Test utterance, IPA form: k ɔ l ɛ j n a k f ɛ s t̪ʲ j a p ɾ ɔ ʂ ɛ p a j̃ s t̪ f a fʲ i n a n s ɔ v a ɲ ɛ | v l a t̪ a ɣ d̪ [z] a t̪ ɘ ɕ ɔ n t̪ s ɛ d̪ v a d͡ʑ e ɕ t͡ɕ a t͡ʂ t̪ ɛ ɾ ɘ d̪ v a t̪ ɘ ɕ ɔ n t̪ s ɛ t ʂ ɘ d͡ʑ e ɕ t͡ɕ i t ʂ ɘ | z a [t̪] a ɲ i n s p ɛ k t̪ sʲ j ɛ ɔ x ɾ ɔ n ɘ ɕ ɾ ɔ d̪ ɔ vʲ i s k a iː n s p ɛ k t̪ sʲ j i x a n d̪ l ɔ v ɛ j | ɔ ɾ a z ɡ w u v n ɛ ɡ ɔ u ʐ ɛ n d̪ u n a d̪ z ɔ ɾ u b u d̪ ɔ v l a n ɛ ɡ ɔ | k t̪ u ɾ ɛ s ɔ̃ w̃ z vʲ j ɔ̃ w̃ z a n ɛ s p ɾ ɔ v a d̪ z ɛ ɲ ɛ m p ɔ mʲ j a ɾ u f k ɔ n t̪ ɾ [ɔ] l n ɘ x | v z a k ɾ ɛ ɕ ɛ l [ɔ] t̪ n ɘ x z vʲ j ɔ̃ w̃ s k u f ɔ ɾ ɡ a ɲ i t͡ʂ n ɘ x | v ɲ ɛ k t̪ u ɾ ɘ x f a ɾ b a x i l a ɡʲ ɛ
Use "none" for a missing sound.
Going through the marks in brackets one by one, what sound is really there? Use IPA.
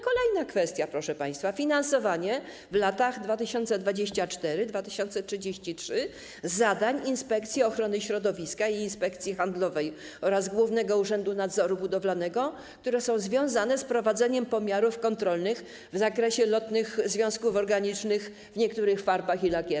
v, d̪, ɔ, ɔ

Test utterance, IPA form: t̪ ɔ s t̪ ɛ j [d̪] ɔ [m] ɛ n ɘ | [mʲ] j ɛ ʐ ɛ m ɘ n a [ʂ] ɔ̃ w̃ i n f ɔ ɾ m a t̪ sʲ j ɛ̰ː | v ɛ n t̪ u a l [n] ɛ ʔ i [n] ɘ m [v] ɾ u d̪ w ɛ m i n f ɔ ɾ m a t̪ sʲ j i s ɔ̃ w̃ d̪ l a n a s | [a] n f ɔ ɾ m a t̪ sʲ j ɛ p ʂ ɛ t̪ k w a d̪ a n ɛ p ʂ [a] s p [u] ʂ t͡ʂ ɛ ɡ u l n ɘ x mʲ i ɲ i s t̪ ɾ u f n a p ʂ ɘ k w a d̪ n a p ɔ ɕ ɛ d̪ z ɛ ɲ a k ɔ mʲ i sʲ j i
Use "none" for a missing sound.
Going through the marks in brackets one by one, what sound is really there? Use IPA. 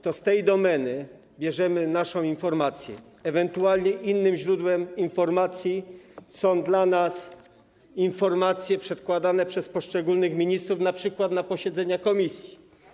d̪, m, bʲ, ʂ, ɲ, nː, ʑ, i, ɛ, ɔ

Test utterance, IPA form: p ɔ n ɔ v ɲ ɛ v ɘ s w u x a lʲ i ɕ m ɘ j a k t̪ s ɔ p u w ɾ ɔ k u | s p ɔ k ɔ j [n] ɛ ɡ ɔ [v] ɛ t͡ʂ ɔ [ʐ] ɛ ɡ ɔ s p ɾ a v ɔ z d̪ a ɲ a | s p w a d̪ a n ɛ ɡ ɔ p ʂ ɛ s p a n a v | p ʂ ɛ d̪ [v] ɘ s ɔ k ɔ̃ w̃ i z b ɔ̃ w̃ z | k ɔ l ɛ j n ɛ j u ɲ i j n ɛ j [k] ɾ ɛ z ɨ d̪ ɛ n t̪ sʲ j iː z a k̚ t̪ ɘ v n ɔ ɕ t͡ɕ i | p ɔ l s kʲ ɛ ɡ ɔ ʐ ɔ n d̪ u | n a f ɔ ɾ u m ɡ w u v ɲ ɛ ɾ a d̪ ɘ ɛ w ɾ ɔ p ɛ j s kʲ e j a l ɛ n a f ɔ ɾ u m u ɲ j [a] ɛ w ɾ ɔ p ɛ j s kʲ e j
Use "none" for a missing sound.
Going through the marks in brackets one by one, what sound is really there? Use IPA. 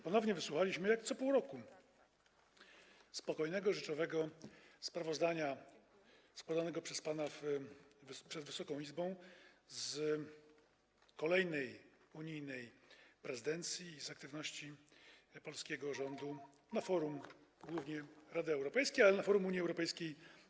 n, ʐ, v, v, p, i

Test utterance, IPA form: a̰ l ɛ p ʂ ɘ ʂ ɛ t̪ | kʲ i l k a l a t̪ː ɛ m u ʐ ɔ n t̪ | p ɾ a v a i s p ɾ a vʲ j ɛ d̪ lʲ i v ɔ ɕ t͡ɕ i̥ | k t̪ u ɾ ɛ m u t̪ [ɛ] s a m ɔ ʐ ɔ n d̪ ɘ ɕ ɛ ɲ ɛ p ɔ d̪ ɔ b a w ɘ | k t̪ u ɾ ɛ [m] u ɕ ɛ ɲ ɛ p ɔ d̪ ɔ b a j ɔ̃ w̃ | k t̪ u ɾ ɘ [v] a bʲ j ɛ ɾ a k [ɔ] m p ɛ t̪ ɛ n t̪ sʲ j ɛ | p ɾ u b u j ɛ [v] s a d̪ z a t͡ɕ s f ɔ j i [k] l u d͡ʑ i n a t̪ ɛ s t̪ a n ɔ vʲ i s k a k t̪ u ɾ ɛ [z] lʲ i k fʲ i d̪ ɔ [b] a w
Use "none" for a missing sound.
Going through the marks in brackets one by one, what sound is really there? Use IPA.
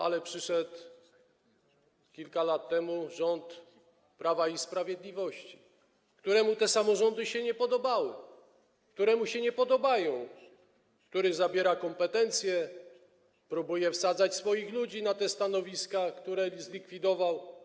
ɛ, m, z, ɔ, f, x, z, v

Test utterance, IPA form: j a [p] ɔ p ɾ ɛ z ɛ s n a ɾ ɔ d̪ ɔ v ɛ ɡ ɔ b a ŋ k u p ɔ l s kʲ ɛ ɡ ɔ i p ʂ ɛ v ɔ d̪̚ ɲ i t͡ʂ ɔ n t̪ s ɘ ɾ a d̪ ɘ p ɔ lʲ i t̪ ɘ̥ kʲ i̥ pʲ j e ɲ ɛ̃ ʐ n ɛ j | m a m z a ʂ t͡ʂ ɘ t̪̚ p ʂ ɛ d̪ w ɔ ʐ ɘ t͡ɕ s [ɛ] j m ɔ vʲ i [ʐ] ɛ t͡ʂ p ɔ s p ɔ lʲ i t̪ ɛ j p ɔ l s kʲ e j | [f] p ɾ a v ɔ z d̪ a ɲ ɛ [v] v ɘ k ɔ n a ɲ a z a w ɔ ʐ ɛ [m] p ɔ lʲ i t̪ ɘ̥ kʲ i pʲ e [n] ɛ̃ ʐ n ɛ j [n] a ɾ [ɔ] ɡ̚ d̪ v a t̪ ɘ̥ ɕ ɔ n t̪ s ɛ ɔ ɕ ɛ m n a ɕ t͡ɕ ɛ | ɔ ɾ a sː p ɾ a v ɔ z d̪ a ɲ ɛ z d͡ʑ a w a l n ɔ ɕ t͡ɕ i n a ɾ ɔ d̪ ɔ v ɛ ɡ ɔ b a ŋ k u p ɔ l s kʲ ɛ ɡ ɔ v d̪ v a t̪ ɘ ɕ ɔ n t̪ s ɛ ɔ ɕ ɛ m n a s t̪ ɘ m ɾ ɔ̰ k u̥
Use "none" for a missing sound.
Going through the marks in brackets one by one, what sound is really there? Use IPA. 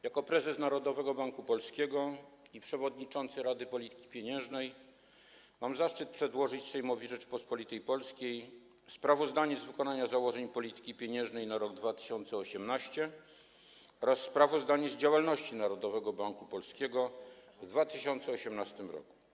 k, ɛ, ʐ, s, z, ɲ, ɲ, n, ɔ

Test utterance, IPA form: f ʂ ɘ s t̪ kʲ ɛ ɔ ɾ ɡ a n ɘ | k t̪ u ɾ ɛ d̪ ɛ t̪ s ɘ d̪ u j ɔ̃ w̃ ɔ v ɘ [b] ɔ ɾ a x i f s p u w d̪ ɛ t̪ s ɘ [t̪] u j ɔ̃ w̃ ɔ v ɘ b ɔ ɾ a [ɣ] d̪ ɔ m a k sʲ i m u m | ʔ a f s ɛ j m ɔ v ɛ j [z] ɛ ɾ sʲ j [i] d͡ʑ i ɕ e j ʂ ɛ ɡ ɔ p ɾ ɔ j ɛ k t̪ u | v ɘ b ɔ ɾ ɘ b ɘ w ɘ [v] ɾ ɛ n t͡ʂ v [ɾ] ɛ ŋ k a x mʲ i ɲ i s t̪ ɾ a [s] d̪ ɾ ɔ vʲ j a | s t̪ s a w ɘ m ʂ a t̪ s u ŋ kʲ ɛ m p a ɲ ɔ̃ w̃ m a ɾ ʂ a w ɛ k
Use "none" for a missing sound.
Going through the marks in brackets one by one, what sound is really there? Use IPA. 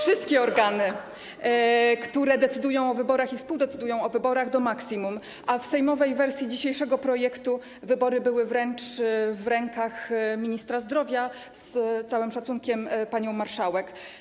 b, d̪, ɣ, v, i, v, ɾ, z

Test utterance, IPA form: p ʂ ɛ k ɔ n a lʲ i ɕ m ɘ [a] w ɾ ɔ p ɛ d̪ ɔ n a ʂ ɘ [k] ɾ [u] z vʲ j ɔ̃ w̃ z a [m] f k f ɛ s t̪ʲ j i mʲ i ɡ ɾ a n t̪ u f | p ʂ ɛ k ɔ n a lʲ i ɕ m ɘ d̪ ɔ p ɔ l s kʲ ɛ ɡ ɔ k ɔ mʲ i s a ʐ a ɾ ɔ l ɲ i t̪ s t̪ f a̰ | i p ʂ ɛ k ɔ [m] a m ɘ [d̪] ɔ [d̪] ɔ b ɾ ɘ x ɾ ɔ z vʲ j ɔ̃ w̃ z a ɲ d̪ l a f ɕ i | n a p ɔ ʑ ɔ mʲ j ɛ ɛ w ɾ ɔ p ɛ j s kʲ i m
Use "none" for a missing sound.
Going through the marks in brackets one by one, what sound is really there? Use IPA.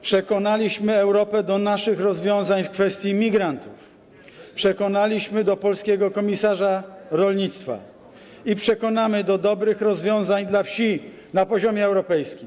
ɛ, x, ɔ, ɲ, n, d̪, d̪

